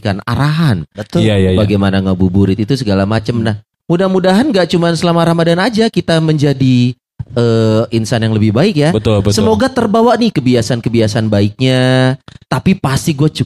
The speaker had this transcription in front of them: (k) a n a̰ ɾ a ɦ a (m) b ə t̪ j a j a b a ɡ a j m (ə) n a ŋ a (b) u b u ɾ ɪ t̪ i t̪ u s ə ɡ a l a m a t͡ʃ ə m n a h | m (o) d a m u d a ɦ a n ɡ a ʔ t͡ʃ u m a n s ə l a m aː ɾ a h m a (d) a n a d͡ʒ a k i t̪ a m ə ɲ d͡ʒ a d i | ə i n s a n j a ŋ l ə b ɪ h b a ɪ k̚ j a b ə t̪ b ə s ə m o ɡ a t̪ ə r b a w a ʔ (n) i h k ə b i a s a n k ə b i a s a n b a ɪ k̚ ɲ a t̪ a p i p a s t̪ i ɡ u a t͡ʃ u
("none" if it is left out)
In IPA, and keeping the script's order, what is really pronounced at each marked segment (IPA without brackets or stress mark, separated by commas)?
k, n, a, b, u, d, n